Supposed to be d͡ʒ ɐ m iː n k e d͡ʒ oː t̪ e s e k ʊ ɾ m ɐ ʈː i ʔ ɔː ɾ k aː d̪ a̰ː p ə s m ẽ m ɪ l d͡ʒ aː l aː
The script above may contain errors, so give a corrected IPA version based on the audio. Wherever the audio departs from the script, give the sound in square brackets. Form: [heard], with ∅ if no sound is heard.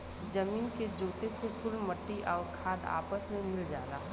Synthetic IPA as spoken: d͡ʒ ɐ m iː n k e d͡ʒ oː t̪ e s e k ʊ [l] m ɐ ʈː i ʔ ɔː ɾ [kʰ] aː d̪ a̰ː p ə s m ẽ m ɪ l d͡ʒ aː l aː